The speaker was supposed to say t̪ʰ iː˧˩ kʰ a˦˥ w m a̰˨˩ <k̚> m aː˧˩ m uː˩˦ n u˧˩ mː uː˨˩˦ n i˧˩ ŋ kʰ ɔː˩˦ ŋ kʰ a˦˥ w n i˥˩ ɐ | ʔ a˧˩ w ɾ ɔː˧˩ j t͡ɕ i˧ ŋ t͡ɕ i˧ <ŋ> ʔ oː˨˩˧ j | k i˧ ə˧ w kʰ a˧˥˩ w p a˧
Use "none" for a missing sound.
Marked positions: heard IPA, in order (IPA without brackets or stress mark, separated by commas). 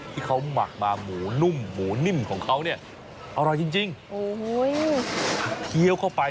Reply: k̚, ŋ